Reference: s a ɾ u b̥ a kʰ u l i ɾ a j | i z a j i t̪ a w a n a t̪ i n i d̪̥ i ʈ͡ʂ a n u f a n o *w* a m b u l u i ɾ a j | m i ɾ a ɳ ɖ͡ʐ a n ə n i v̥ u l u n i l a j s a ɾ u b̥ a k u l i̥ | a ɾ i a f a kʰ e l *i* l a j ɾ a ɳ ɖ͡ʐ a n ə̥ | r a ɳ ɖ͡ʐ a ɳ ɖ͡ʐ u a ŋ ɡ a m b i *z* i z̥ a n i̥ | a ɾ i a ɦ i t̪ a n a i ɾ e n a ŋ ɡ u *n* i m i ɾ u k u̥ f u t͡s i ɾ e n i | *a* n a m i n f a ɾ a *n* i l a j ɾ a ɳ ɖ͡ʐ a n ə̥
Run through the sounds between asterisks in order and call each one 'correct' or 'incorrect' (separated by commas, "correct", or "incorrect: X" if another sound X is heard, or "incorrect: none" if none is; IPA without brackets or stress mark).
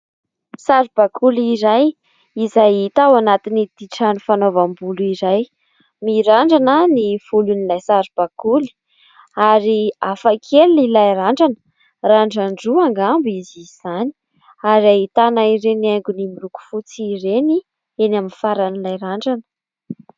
incorrect: v, correct, correct, correct, incorrect: e, correct